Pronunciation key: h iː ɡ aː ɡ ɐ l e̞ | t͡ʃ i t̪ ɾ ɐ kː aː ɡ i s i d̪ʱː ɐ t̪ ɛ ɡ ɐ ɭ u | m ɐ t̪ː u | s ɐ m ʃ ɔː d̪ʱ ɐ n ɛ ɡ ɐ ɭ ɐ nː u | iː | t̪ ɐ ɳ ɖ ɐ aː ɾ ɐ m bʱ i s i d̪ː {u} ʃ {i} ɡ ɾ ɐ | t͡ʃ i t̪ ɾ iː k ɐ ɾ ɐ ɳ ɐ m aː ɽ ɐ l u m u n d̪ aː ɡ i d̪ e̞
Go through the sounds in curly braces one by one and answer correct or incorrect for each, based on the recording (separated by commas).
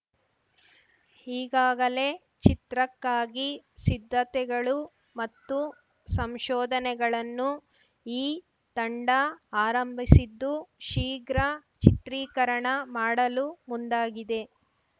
correct, incorrect